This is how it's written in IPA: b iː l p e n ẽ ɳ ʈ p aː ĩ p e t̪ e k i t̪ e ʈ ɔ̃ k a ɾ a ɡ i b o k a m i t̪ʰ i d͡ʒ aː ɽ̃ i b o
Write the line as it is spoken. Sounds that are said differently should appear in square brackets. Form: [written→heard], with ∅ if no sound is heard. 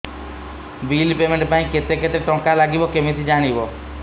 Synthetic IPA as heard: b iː l p e [n→m] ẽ ɳ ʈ p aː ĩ [p→k] e t̪ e k [i→e] t̪ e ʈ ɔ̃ k a [ɾ→l] a ɡ i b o k [a→e] m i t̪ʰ i d͡ʒ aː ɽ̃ i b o